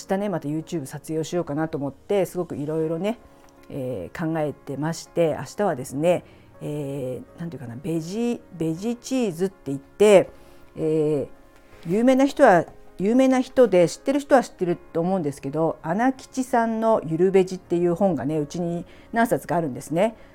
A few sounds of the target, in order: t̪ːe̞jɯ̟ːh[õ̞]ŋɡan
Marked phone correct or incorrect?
correct